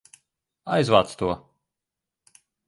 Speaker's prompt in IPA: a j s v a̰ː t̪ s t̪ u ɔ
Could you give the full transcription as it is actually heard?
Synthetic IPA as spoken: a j z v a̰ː t̪ s t̪ u ɔ